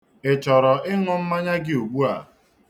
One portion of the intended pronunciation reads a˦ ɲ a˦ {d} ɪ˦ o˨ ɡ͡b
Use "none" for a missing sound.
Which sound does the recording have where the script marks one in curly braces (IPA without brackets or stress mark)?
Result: ɡ